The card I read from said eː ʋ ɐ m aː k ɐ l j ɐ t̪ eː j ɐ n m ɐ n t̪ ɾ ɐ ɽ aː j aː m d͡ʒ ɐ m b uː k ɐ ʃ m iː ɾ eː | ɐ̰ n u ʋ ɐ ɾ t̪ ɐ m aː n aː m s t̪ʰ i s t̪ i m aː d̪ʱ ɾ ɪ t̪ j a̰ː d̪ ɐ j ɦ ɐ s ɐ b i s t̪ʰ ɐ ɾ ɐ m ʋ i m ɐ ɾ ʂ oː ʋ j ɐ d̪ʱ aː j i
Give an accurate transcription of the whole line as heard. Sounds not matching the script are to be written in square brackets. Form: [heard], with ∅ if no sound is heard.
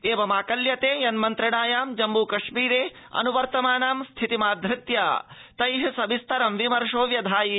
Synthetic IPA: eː ʋ ɐ m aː k ɐ l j ɐ t̪ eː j ɐ n m ɐ n t̪ ɾ ɐ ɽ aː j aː m d͡ʒ ɐ m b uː k ɐ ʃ m iː ɾ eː | ɐ̰ n u ʋ ɐ ɾ t̪ ɐ m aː n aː m s t̪ʰ i [∅] t̪ i m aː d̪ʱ ɾ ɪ t̪ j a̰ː [t̪] ɐ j ɦ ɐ s ɐ b i s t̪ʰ ɐ ɾ ɐ m ʋ i m ɐ ɾ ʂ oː ʋ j ɐ d̪ʱ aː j i